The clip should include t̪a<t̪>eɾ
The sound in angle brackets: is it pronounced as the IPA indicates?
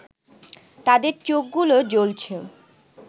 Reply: no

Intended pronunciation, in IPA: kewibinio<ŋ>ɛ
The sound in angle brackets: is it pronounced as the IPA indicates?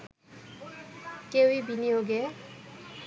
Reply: no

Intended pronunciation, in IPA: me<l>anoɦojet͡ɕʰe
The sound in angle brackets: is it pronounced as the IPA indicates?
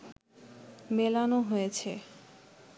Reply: yes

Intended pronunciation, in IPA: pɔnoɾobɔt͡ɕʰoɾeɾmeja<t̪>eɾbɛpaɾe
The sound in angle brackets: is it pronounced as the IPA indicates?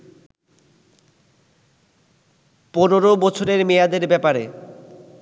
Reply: no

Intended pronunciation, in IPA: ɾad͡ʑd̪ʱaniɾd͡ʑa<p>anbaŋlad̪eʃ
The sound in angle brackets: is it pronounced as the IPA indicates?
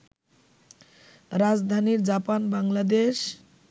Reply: yes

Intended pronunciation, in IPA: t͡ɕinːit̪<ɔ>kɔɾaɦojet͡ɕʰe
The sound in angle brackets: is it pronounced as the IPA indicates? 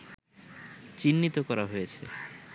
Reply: no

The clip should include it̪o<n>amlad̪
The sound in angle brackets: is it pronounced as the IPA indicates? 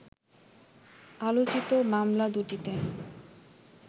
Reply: no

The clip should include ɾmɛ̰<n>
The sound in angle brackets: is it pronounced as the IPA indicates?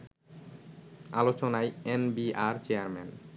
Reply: yes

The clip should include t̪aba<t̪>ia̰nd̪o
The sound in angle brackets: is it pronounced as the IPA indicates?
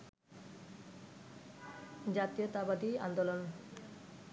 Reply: no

